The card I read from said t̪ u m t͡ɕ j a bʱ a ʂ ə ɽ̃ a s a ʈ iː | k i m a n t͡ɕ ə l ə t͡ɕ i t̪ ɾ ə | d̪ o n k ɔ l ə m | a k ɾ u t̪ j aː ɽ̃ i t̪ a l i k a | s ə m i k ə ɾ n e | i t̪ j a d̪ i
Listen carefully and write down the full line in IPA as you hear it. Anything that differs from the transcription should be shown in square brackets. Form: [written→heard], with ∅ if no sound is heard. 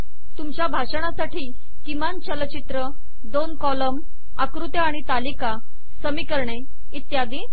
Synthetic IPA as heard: t̪ u m t͡ɕ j a bʱ a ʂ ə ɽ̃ a s a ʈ iː | k i m a n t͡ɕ ə l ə t͡ɕ i t̪ ɾ ə | d̪ o n k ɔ l ə m | a k ɾ u t̪ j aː ɽ̃ i t̪ a l i k a | s ə m i k ə ɾ [n→ɳ] e | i t̪ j a d̪ i